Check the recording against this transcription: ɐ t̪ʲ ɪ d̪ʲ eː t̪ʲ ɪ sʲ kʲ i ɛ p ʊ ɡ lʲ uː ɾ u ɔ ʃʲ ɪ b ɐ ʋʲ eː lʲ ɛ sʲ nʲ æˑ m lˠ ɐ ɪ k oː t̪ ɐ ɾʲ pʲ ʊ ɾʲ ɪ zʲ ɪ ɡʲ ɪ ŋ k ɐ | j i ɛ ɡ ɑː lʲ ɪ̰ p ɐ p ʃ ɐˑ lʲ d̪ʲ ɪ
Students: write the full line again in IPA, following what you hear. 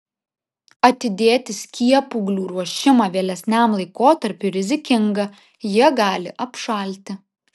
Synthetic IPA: ɐ t̪ʲ ɪ d̪ʲ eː t̪ʲ ɪ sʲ kʲ i ɛ p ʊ ɡ lʲ uː ɾ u ɔ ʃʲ ɪ m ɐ ʋʲ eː lʲ ɛ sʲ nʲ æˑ m lˠ ɐ ɪ k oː t̪ ɐ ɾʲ pʲ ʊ ɾʲ ɪ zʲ ɪ kʲ ɪ ŋ ɡ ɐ | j i ɛ ɡ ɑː lʲ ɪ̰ ʔ ɐ p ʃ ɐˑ lʲ t̪ʲ ɪ

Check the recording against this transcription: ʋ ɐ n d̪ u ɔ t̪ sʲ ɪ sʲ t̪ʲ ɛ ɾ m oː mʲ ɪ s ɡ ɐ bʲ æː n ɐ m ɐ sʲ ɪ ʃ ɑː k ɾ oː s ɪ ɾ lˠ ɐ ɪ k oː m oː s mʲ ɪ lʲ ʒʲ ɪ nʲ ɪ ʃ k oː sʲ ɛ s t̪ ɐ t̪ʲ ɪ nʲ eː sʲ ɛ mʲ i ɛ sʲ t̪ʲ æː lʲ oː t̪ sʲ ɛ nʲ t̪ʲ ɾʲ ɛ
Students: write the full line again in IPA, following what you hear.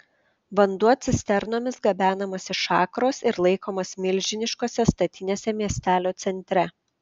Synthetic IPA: ʋ ɐ n d̪ u ɔ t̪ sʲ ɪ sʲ t̪ʲ ɛ ɾ n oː mʲ ɪ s ɡ ɐ bʲ æː n ɐ m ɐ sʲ ɪ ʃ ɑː k ɾ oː s ɪ ɾ lˠ ɐ ɪ k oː m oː s mʲ ɪ lʲ ʒʲ ɪ nʲ ɪ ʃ k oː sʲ ɛ s t̪ ɐ t̪ʲ ɪ nʲ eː sʲ ɛ mʲ i ɛ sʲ t̪ʲ æː lʲ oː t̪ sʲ ɛ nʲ t̪ʲ ɾʲ ɛ

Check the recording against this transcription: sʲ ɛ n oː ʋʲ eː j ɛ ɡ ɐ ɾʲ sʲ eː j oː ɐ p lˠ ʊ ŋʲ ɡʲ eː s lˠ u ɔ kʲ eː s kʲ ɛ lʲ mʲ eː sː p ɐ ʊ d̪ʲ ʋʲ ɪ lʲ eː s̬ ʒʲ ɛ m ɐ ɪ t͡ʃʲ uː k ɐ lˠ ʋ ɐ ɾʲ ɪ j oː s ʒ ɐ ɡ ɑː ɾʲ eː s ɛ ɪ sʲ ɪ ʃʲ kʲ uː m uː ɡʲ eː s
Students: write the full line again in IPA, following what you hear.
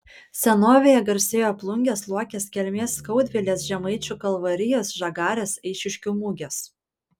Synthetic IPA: sʲ ɛ n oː ʋʲ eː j ɛ ɡ ɐ ɾʲ sʲ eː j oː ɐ p lˠ ʊ ŋʲ ɡʲ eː s lˠ u ɔ kʲ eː s kʲ ɛ lʲ mʲ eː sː k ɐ ʊ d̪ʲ ʋʲ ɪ lʲ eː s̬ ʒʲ ɛ m ɐ ɪ t͡ʃʲ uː k ɐ lˠ ʋ ɐ ɾʲ ɪ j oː s ʒ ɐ ɡ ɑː ɾʲ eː s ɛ ɪ ʃʲ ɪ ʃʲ kʲ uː m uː ɡʲ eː s

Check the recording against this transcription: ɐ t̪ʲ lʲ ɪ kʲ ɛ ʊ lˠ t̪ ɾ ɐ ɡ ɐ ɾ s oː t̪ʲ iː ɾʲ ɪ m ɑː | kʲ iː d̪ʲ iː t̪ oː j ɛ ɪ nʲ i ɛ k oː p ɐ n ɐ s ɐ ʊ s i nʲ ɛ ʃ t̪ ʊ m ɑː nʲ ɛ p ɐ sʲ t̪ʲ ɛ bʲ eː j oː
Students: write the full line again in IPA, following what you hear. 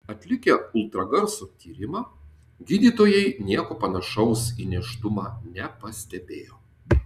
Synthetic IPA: ɐ t̪ʲ lʲ ɪ kʲ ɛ ʊ lˠ t̪ ɾ ɐ ɡ ɐ ɾ s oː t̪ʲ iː ɾʲ ɪ m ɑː | ɡʲ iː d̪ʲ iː t̪ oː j ɛ ɪ nʲ i ɛ k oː p ɐ n ɐ ʃ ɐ ʊ s i nʲ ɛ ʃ t̪ ʊ m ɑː nʲ ɛ p ɐ sʲ t̪ʲ ɛ bʲ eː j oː

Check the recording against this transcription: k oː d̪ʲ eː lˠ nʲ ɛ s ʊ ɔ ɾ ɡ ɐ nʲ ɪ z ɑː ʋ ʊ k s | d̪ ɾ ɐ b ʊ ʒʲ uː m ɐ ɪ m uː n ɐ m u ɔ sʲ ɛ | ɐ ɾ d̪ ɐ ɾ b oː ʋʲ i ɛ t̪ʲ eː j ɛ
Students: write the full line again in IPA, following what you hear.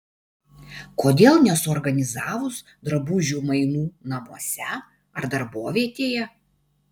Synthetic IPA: k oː d̪ʲ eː lˠ nʲ ɛ s ʊ ɔ ɾ ɡ ɐ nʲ ɪ z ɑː ʋ ʊ s | d̪ ɾ ɐ b ʊ ʒʲ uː m ɐ ɪ n uː n ɐ m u ɔ sʲ ɛ | ɐ ɾ d̪ ɐ ɾ b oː ʋʲ i ɛ t̪ʲ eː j ɛ

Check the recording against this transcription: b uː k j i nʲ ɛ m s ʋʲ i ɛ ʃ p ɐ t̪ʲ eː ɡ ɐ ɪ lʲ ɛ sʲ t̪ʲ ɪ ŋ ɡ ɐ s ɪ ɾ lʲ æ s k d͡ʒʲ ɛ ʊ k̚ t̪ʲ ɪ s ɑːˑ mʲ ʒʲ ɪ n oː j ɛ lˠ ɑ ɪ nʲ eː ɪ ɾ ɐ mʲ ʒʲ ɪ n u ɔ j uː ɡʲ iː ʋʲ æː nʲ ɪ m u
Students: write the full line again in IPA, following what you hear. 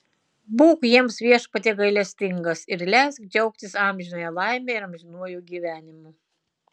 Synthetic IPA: b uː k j i ɛ m s ʋʲ i ɛ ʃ p ɐ t̪ʲ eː ɡ ɐ ɪ lʲ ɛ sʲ t̪ʲ ɪ ŋ ɡ ɐ s ɪ ɾ lʲ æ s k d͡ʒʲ ɛ ʊ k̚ t̪ʲ ɪ s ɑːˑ mʲ ʒʲ ɪ n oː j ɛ lˠ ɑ ɪ mʲ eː ɪ ɾ ɐ mʲ ʒʲ ɪ n u ɔ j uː ɡʲ iː ʋʲ æː nʲ ɪ m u

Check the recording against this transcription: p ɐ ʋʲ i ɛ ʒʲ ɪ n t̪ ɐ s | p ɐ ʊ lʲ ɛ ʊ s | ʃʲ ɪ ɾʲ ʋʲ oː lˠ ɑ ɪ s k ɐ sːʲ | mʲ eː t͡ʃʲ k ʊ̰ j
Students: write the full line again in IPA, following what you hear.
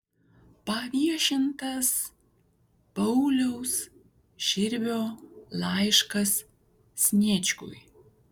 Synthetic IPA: p ɐ ʋʲ i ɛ ʃʲ ɪ n t̪ ɐ s | p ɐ ʊ lʲ ɛ ʊ s | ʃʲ ɪ ɾʲ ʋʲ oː lˠ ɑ ɪ ʃ k ɐ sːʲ | nʲ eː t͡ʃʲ k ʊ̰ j

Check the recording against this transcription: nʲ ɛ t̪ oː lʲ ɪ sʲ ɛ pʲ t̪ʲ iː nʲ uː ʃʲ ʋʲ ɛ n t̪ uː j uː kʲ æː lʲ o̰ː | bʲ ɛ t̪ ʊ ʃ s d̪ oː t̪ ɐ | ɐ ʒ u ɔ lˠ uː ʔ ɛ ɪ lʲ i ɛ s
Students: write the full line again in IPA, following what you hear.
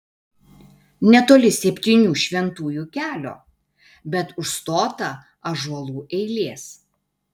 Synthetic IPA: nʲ ɛ t̪ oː lʲ ɪ sʲ ɛ pʲ t̪ʲ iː nʲ uː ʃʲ ʋʲ ɛ n t̪ uː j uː kʲ æː lʲ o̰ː | bʲ ɛ t̪ ʊ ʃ s t̪ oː t̪ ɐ | ɐ ʒ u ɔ lˠ uː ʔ ɛ ɪ lʲ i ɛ s

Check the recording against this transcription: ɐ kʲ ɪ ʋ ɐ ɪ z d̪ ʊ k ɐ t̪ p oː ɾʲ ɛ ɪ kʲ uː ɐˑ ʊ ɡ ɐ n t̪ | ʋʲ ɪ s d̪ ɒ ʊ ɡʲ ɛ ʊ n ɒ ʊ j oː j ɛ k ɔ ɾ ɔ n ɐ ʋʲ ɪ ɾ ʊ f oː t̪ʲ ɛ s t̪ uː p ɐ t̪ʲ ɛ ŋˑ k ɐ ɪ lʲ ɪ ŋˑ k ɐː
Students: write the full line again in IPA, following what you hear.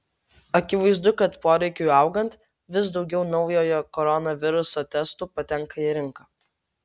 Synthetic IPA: ɐ kʲ ɪ ʋ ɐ ɪ z d̪ ʊ k ɐ t̪ p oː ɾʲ ɛ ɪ kʲ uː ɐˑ ʊ ɡ ɐ n t̪ | ʋʲ ɪ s d̪ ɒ ʊ ɡʲ ɛ ʊ n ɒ ʊ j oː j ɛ k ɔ ɾ ɔ n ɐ ʋʲ ɪ ɾ ʊ s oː t̪ʲ ɛ s t̪ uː p ɐ t̪ʲ ɛ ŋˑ k ɐ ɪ ɾʲ ɪ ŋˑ k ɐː

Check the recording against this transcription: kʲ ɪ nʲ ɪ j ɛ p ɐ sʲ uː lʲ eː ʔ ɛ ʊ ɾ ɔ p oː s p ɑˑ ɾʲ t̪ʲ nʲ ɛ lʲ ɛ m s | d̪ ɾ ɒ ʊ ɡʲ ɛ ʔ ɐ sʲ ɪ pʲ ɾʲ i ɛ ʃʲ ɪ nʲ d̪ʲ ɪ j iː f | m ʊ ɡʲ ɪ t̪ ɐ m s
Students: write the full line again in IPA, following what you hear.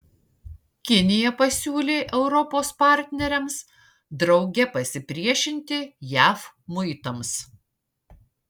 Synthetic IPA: kʲ ɪ nʲ ɪ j ɛ p ɐ sʲ uː lʲ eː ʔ ɛ ʊ ɾ ɔ p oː s p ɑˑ ɾʲ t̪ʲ nʲ ɛ ɾʲ ɛ m s | d̪ ɾ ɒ ʊ ɡʲ ɛ p ɐ sʲ ɪ pʲ ɾʲ i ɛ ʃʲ ɪ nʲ t̪ʲ ɪ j æː f | m ʊ ɪ t̪ ɐ m s

